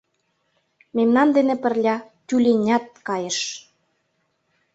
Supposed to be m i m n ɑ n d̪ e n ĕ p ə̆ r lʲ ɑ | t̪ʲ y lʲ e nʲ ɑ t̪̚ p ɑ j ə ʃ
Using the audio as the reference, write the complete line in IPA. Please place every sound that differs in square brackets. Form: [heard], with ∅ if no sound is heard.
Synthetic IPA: m [e] m n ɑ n d̪ e n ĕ p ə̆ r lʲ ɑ | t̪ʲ y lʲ e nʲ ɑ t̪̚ [k] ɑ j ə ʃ